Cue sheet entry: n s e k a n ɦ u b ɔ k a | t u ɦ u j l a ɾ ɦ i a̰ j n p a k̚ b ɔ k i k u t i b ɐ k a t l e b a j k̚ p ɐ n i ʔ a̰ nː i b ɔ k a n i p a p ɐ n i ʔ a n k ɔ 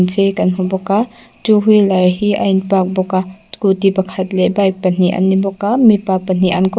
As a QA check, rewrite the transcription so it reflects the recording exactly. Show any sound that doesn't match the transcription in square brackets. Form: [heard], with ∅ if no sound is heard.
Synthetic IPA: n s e k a n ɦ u b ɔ k a | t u ɦ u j l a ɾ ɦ i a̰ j n p a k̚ b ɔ k [a] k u t i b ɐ [kʰ] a t l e b a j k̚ p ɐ n i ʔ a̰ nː i b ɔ k a [m] i p a p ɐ n i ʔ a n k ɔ